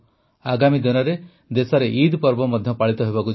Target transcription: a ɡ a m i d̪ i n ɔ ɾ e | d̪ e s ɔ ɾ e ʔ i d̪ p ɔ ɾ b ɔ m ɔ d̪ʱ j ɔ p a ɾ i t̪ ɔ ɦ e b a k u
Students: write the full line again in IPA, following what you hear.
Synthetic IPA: a ɡ a m i d̪ i n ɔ ɾ e | d̪ e s ɔ ɾ e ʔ i d̪ p ɔ ɾ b ɔ m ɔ d̪ʱ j ɔ p a ɭ i t̪ ɔ ɦ e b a k u